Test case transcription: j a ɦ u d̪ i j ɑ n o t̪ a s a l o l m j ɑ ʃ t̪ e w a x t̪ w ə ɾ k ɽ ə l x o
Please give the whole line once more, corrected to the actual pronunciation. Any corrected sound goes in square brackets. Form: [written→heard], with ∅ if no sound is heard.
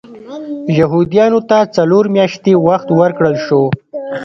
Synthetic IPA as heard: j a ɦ u d̪ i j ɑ n o t̪ a [s→t͡s] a l o [l→ɾ] m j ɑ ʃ t̪ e w a x t̪ w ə ɾ k ɽ ə l [x→ʃ] o